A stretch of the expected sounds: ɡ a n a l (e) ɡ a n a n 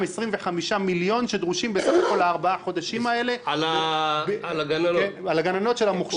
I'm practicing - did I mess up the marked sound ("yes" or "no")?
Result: yes